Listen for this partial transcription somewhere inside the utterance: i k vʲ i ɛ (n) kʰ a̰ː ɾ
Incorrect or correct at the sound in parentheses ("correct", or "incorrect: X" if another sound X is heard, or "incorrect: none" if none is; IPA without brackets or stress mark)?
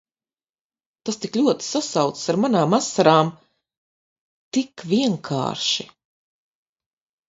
incorrect: ŋ